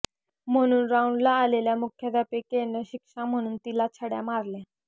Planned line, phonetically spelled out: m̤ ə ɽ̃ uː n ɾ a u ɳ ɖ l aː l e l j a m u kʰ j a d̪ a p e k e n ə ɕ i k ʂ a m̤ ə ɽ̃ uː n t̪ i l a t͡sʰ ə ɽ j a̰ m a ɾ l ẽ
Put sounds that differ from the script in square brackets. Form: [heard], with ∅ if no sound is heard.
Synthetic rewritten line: m̤ ə ɽ̃ uː n ɾ a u ɳ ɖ l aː l e l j a m u kʰ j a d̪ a p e k e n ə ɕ i k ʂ a m̤ ə ɽ̃ uː n t̪ i l a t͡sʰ ə ɽ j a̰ m a ɾ l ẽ